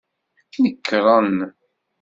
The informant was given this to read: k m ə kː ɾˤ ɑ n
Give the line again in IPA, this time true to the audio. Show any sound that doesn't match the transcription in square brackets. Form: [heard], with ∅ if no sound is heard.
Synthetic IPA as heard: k [n] ə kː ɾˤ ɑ n